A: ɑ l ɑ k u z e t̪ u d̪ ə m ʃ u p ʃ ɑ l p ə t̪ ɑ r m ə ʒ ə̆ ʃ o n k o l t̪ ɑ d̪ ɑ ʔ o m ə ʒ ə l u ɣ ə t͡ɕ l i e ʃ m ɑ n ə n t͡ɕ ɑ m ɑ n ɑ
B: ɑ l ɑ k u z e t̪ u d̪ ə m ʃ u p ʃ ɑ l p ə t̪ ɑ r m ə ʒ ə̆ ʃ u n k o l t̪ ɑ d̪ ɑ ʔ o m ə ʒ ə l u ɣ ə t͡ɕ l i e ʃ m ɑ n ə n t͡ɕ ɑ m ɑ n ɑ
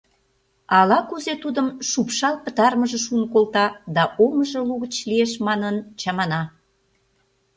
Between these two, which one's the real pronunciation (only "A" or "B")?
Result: B